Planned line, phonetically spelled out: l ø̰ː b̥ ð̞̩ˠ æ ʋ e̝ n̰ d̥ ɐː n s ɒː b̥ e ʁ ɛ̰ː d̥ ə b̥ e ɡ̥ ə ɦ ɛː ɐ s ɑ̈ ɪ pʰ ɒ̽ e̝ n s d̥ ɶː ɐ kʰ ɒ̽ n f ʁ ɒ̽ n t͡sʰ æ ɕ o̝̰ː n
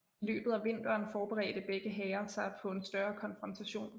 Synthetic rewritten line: l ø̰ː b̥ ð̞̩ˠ æ ʋ e̝ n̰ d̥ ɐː n f ɒː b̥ e ʁ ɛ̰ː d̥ ə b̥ e ɡ̥ ə ɦ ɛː ɐ s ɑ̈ ɪ pʰ ɒ̽ e̝ n s d̥ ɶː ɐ kʰ ɒ̽ n f ʁ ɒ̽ n t͡sʰ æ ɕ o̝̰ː n